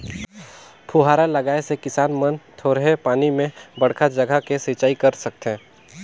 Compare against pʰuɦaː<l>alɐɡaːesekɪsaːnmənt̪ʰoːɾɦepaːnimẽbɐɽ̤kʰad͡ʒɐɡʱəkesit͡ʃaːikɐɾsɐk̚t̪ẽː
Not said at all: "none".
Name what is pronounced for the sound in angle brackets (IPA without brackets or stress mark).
ɾ